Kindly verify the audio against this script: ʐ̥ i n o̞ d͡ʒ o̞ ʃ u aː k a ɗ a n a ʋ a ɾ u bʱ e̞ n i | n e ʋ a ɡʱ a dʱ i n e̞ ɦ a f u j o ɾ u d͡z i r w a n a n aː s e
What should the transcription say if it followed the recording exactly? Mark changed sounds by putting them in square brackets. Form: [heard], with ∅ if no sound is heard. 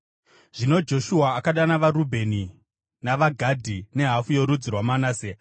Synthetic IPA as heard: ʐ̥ i n o̞ d͡ʒ o̞ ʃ u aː k a ɗ a n a ʋ a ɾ u bʱ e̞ n i | n [a] ʋ a ɡʱ a dʱ i n e̞ ɦ a f u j o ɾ u d͡z i r w a [m] a n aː s e